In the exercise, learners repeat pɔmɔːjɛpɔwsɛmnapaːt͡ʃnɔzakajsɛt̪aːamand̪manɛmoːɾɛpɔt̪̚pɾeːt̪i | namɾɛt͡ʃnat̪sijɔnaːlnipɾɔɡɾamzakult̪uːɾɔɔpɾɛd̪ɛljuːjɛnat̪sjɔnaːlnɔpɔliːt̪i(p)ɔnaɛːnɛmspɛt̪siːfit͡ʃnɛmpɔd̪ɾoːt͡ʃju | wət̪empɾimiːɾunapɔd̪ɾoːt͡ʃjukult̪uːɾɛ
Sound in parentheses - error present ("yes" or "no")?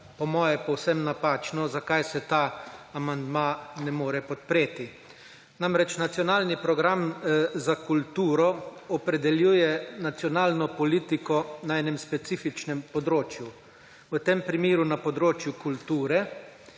yes